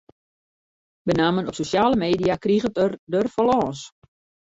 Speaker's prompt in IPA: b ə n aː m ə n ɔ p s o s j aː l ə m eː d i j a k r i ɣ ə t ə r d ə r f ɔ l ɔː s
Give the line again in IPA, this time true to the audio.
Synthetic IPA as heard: b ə n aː m ə n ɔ p s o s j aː l ə m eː d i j a k r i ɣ ə t ə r d ə r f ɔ l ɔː s